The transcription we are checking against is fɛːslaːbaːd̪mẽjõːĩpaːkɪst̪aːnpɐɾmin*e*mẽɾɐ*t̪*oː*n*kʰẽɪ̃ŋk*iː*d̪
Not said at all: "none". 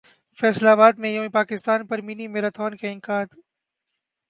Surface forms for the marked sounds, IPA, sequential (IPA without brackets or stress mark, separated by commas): i, t̪ʰ, n, aː